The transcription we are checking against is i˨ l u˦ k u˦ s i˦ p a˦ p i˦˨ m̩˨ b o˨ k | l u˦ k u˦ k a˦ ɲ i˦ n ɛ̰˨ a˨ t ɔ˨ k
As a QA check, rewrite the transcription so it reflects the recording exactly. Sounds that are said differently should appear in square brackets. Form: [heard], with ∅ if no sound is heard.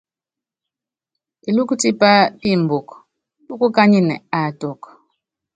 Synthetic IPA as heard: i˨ l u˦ k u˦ [t] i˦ p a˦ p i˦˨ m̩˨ b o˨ k | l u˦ k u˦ k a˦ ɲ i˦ n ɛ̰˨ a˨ t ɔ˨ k